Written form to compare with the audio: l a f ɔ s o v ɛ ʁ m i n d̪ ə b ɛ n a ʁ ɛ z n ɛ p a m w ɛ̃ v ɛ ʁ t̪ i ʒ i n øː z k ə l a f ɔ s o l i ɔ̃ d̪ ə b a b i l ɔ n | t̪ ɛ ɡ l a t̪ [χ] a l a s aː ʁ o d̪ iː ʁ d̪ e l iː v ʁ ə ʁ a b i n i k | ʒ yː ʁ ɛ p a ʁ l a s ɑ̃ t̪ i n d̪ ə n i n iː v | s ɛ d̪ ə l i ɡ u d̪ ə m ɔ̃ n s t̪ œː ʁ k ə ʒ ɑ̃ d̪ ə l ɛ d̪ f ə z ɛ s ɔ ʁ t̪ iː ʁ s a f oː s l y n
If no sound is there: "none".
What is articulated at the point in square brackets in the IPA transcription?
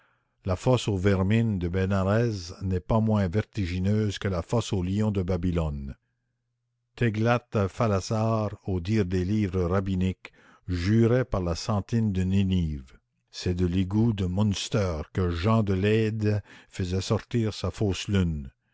f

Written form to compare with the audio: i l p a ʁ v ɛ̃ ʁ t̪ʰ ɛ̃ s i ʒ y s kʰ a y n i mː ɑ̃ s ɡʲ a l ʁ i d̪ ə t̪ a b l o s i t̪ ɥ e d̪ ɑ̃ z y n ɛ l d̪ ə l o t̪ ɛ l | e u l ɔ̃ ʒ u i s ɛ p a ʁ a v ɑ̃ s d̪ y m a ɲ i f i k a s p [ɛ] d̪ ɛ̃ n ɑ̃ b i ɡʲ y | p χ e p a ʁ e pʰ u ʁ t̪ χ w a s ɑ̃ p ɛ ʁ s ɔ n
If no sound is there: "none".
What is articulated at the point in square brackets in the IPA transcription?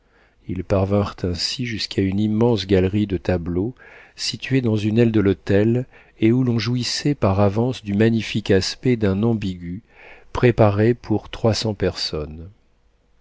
ɛ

